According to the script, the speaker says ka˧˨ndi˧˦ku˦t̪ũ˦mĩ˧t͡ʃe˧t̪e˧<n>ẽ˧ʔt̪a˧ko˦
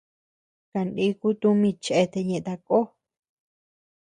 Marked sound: incorrect: ɲ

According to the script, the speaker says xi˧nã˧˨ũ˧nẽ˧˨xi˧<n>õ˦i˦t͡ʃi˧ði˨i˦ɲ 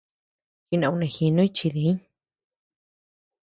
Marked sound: correct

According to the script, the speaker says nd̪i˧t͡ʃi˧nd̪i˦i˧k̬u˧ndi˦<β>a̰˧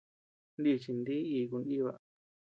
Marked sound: correct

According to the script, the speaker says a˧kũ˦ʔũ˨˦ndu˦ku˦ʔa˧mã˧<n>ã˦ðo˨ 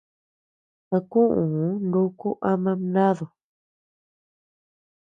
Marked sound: correct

